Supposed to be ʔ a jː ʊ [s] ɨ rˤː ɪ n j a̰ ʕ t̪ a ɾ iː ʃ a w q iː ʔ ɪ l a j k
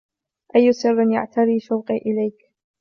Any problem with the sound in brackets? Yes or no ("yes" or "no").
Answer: no